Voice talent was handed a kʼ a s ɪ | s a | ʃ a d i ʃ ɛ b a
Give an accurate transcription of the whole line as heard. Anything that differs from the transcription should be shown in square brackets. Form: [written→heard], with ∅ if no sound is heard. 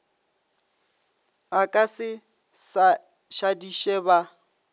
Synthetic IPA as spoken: a kʼ a s ɪ | s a | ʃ a d i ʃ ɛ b a